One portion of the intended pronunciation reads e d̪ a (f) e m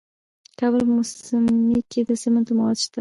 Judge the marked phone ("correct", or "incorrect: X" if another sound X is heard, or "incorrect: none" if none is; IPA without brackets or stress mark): incorrect: s